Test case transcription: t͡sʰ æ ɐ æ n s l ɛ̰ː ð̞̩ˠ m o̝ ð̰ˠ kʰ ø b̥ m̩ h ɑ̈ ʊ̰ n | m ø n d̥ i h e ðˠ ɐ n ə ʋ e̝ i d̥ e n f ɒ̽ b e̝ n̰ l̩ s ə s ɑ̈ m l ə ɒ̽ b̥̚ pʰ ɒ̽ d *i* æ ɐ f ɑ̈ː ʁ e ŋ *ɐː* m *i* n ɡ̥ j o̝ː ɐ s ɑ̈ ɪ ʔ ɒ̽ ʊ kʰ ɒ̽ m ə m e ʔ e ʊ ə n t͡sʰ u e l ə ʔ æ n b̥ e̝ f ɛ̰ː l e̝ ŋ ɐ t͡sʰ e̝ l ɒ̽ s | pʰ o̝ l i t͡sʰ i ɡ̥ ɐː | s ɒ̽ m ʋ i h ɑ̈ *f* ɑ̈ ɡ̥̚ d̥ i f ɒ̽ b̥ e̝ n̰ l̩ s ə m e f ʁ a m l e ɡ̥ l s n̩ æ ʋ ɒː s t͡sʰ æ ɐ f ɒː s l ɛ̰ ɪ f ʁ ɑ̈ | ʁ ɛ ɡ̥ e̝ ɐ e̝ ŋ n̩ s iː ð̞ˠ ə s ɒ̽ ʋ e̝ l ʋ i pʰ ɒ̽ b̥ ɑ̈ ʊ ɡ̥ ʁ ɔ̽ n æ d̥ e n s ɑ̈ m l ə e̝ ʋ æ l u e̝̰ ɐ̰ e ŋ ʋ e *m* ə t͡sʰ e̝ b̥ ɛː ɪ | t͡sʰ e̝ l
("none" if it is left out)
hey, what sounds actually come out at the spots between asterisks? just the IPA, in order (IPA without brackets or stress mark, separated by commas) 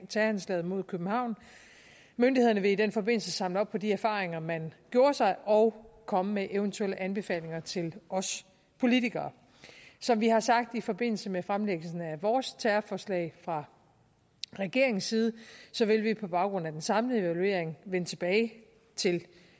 i, ɐ, æ, s, n